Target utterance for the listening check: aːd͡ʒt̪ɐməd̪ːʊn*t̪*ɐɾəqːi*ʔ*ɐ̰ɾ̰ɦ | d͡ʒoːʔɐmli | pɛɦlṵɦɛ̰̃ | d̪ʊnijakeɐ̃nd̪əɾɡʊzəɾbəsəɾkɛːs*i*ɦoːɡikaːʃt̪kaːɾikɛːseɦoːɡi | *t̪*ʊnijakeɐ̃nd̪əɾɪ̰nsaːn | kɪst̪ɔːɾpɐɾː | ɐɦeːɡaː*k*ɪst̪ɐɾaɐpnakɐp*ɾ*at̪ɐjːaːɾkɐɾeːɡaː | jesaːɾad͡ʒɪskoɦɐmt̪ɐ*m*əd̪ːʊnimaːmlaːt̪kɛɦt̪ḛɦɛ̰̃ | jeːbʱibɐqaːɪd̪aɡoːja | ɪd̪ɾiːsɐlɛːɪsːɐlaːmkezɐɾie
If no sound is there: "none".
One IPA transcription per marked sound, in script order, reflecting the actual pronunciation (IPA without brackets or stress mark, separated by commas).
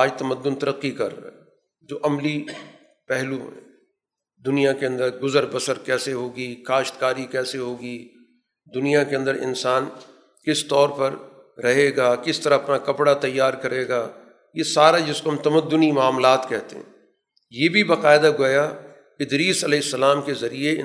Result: t̪, k, e, d̪, k, ɽ, m